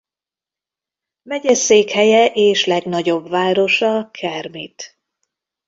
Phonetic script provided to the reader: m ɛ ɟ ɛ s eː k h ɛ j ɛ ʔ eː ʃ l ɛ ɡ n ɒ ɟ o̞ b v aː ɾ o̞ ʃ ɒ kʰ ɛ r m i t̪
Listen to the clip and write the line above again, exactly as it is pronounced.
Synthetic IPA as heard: m ɛ ɟ ɛ s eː k h ɛ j ɛ ʔ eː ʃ l ɛ ɡ n ɒ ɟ o̞ b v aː ɾ o̞ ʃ ɒ kʰ ɛ r m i t̪